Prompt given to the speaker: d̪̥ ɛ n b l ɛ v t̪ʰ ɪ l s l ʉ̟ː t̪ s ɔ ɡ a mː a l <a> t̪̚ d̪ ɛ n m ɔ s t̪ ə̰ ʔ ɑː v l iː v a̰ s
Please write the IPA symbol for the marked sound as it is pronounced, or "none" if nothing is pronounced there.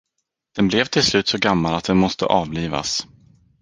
a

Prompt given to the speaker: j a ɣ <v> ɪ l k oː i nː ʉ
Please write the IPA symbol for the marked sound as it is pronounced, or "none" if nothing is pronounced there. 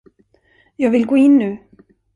v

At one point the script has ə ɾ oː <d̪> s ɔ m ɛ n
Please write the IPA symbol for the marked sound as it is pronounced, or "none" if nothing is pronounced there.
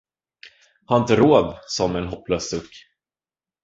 d̪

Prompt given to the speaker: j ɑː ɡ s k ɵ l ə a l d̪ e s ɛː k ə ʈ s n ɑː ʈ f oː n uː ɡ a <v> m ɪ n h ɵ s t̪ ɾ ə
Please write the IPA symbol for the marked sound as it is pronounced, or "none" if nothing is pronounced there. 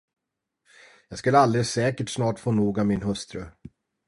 v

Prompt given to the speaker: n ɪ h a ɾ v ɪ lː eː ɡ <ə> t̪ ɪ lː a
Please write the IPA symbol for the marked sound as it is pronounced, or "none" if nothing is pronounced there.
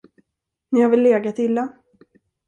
a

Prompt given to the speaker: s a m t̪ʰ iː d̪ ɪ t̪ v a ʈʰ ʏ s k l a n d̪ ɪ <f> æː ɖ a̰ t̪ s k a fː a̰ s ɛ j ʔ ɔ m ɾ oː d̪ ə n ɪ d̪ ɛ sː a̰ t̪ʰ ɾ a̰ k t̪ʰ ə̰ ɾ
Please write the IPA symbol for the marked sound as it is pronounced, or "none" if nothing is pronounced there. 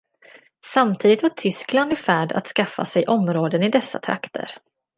f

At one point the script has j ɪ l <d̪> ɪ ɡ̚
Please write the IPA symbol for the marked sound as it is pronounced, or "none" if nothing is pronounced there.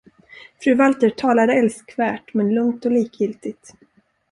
t̪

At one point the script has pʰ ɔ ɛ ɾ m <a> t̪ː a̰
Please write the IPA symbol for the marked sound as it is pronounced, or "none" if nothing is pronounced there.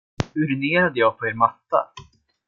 a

